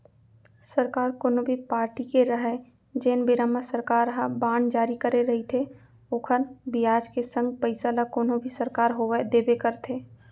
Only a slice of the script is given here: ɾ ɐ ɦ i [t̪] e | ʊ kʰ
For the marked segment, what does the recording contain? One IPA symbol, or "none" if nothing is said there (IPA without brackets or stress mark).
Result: t̪ʰ